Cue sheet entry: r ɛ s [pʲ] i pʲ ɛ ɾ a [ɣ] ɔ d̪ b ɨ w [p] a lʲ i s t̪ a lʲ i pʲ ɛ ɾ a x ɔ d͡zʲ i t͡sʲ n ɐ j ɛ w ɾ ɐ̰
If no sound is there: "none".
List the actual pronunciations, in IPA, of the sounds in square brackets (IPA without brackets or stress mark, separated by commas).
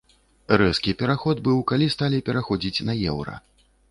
kʲ, x, k